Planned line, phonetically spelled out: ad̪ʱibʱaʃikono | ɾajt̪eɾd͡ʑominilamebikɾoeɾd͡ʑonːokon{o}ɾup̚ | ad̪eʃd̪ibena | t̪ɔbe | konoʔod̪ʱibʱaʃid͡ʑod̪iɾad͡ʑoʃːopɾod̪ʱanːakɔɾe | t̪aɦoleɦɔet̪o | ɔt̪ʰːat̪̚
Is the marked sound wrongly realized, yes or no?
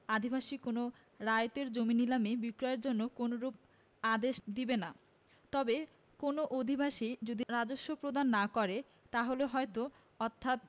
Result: no